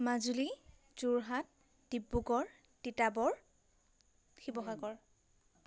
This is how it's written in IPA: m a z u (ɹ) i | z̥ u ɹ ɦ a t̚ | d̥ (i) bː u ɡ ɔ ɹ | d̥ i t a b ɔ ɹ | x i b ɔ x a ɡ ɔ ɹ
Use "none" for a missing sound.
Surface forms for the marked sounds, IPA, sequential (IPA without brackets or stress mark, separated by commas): l, i